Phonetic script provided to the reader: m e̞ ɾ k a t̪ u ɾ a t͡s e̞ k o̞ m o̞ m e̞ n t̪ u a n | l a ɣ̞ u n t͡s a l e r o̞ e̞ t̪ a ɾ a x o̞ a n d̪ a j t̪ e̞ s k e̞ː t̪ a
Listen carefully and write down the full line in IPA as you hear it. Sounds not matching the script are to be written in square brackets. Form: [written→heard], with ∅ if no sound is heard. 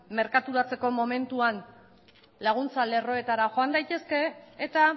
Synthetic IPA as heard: m e̞ ɾ k a t̪ u ɾ a t͡s e̞ k o̞ m o̞ m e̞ n t̪ u a n | l a ɣ̞ u n t͡s a l e r o̞ e̞ t̪ a ɾ a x o̞ a n d̪ a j t̪ e̞ s k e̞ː t̪ a